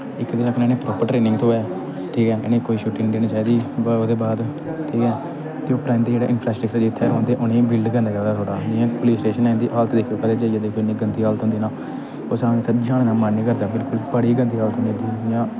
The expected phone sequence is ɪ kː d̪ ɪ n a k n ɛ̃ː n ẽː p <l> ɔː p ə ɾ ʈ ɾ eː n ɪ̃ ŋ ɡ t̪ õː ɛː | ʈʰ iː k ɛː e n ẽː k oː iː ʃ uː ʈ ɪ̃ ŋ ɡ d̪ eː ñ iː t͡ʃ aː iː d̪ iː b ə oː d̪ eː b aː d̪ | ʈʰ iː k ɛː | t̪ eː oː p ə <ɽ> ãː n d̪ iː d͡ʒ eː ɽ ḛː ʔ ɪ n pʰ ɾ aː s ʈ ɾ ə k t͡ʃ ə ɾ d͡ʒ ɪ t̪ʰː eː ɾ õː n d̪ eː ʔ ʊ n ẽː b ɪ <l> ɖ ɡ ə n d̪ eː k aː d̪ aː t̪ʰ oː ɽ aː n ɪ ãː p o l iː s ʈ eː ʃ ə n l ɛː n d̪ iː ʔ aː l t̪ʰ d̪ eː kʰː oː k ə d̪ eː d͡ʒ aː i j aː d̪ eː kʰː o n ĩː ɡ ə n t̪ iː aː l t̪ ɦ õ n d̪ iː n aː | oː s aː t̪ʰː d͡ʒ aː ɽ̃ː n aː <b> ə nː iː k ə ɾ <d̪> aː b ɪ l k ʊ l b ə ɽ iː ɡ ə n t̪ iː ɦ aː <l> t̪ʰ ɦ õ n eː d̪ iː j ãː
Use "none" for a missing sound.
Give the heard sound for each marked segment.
ɾ, ɾ, l, m, d̪, l

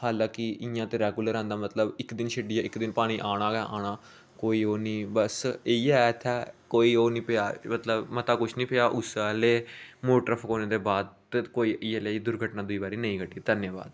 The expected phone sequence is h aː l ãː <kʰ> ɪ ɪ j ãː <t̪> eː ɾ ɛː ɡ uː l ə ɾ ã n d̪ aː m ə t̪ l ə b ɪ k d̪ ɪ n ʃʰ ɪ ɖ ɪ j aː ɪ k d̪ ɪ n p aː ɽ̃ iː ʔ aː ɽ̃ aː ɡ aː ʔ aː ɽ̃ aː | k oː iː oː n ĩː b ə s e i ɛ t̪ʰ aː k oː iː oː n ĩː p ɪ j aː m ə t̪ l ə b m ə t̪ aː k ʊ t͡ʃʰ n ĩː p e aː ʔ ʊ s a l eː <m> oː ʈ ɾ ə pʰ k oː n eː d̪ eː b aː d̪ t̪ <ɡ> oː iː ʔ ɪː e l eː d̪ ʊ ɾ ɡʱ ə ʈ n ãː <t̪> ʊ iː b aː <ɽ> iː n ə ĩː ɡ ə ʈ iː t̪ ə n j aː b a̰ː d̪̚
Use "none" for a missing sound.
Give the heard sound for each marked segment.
k, t̪, m, k, d̪, ɾ

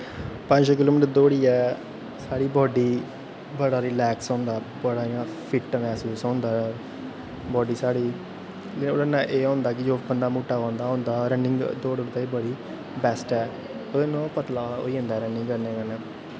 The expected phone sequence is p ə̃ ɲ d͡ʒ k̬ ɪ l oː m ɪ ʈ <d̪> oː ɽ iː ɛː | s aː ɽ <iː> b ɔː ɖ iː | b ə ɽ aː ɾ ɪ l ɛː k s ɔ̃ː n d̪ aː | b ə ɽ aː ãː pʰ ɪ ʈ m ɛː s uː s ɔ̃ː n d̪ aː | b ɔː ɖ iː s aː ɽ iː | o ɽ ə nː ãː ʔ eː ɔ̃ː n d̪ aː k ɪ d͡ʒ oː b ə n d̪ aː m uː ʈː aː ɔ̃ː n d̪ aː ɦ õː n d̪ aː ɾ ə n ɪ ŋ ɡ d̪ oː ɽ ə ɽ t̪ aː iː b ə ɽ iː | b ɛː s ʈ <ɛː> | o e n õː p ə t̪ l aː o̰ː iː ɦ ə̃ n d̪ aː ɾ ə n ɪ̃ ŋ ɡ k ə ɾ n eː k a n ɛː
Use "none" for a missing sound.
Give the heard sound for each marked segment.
d̪, iː, ɛː

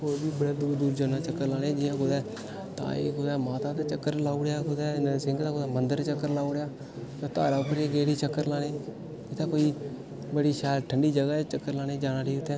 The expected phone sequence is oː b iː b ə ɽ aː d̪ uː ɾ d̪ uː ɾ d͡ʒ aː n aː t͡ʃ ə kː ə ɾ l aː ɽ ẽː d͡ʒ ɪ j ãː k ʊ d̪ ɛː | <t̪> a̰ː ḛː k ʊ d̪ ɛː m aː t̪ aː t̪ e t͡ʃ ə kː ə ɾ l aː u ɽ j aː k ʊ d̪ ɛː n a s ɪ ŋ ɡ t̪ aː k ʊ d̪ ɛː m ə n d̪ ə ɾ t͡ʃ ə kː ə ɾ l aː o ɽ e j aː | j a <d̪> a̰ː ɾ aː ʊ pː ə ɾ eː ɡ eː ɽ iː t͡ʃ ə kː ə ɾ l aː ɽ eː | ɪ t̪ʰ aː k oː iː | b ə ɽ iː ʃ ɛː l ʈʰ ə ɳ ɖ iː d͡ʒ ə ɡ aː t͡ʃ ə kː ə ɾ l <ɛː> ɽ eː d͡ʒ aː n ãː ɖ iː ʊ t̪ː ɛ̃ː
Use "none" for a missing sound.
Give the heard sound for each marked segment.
t̪, t̪, aː

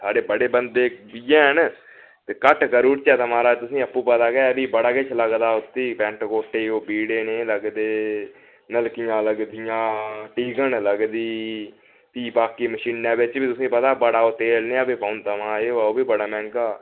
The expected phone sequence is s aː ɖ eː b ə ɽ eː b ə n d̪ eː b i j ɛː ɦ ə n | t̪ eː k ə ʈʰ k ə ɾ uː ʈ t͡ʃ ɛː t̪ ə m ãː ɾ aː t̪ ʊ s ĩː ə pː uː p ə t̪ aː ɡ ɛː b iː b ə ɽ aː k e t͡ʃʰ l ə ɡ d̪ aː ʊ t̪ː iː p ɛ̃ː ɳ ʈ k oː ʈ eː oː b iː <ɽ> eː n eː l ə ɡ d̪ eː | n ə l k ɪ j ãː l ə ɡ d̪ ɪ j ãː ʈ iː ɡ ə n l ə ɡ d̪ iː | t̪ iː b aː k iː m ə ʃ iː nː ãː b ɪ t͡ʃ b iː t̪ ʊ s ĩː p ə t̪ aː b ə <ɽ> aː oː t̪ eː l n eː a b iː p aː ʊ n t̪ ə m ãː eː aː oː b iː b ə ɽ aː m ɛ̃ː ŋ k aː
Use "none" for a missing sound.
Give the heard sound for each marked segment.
ɽ, ɽ

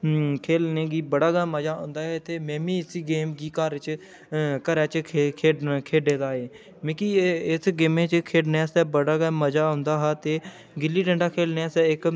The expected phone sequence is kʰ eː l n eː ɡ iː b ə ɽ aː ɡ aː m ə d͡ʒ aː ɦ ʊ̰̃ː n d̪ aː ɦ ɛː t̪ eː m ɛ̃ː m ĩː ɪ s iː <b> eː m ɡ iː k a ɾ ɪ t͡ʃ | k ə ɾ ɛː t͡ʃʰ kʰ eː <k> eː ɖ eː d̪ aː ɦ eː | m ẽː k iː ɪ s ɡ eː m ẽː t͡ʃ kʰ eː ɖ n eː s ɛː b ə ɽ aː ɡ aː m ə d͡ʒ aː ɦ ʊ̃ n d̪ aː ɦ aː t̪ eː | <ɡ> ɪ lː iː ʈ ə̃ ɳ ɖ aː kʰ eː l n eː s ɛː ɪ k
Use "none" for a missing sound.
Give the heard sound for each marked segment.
ɡ, kʰ, ɡ

